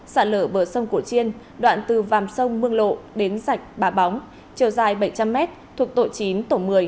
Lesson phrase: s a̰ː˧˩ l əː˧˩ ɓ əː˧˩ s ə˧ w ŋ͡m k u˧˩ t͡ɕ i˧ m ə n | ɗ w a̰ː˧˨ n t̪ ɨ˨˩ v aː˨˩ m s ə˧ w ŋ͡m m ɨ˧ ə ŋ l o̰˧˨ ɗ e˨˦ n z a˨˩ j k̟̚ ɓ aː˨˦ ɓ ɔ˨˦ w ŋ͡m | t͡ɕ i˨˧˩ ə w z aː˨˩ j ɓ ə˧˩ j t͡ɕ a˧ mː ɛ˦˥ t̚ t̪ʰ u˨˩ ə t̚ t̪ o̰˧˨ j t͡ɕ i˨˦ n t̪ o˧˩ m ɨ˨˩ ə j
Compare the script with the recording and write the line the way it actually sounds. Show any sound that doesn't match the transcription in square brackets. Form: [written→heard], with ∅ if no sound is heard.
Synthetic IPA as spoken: s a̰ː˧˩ l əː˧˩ ɓ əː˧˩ s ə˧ w ŋ͡m k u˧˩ t͡ɕ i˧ [m→∅] ə n | ɗ w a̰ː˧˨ n t̪ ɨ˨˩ v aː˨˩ m s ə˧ w ŋ͡m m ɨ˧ ə ŋ l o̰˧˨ ɗ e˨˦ n z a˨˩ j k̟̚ ɓ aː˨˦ ɓ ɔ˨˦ w ŋ͡m | t͡ɕ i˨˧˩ ə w z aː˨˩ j ɓ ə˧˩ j t͡ɕ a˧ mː ɛ˦˥ t̚ t̪ʰ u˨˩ ə [t̚→k̚] t̪ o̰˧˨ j t͡ɕ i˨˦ n t̪ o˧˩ m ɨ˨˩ ə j

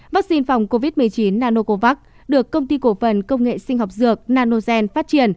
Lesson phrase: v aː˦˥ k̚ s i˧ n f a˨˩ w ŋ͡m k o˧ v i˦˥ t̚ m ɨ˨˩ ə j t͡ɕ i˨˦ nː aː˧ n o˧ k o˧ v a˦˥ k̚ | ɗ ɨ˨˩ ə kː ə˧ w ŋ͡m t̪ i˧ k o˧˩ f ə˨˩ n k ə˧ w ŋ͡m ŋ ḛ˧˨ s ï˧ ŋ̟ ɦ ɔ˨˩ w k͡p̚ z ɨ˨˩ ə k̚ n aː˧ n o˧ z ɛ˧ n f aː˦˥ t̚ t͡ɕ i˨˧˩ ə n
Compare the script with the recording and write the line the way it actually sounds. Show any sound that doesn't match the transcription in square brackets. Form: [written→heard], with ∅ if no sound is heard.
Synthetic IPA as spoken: v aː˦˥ k̚ s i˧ n f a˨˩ w ŋ͡m k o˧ v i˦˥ t̚ m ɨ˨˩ ə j t͡ɕ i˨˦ nː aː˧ n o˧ k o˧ v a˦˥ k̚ | ɗ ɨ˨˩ ə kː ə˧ w ŋ͡m t̪ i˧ k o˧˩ f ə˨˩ n k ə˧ w ŋ͡m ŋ ḛ˧˨ s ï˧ ŋ̟ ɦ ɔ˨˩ w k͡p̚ z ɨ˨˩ ə k̚ n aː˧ n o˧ z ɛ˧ n f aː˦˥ t̚ t͡ɕ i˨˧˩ ə n

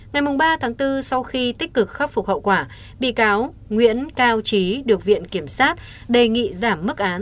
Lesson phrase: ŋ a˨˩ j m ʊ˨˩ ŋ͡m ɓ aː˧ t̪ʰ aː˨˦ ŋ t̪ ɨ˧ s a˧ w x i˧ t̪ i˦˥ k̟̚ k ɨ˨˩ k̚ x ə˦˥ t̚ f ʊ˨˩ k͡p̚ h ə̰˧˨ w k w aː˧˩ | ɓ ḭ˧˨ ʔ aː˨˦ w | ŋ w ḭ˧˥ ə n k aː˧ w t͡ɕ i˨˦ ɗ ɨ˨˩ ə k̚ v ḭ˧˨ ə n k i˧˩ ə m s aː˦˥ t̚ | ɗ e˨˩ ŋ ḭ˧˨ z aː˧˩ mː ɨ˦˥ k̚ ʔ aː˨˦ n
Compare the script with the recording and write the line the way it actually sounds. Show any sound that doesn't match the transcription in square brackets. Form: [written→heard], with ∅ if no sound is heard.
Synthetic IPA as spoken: ŋ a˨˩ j m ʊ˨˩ ŋ͡m ɓ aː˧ t̪ʰ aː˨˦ ŋ t̪ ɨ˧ s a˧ w x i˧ t̪ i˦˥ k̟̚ k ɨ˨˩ k̚ x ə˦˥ [t̚→p̚] f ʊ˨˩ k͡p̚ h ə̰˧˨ w k w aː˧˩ | ɓ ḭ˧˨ [ʔ→k] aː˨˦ w | ŋ w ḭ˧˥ ə n k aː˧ w t͡ɕ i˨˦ ɗ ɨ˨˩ ə k̚ v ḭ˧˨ ə n k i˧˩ ə m s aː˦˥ t̚ | ɗ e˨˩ ŋ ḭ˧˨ z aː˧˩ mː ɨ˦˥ k̚ ʔ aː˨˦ n

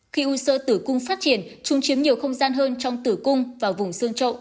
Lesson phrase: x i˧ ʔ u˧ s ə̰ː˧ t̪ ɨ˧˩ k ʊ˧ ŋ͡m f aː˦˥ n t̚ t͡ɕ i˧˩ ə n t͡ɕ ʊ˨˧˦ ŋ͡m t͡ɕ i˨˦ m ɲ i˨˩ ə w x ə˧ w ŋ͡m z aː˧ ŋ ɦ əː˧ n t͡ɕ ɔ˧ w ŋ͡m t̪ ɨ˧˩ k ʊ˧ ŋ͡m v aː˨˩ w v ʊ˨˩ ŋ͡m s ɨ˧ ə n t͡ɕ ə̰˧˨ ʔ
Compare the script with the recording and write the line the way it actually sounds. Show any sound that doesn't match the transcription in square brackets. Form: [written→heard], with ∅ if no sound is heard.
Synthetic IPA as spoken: x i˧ ʔ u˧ s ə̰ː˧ t̪ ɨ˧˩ k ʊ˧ ŋ͡m f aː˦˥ [n→∅] t̚ t͡ɕ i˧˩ ə n t͡ɕ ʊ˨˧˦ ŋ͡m t͡ɕ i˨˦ m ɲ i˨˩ ə w x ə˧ w ŋ͡m z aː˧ [ŋ→n] ɦ əː˧ n t͡ɕ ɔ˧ w ŋ͡m t̪ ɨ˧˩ k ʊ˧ ŋ͡m v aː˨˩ w v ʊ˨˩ ŋ͡m s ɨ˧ ə [n→ŋ] t͡ɕ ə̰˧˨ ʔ

